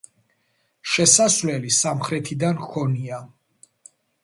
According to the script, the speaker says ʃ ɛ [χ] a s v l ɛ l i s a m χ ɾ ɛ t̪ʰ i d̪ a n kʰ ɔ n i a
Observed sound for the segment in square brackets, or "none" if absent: s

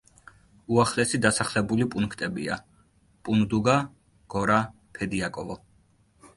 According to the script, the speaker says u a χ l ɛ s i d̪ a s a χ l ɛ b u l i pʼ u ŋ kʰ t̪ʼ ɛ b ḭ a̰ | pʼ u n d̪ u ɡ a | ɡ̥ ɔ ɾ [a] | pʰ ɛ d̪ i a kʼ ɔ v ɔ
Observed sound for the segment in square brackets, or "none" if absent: a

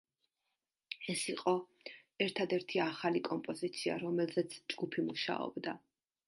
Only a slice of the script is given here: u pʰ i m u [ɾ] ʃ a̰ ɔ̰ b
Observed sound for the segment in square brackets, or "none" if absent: none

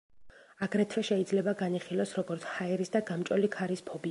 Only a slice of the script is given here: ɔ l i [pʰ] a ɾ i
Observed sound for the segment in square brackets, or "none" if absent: kʰ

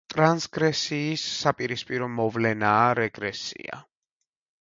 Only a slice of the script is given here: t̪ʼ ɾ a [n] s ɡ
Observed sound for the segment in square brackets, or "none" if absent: n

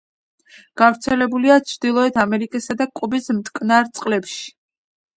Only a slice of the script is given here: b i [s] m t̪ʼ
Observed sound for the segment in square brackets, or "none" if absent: s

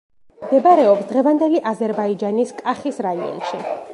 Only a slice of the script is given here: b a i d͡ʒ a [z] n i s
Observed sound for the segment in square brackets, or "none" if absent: none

